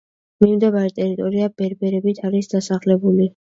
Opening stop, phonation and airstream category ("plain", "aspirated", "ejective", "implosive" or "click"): plain